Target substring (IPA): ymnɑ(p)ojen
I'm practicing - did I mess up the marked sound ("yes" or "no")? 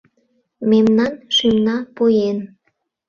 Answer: no